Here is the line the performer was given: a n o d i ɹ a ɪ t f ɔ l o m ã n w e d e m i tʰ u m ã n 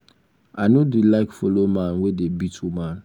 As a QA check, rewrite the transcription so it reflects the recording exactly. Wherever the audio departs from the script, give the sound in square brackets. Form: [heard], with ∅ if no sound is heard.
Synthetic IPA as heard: a n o d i [l] a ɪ [k] f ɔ l o m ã n w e d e [b] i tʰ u m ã n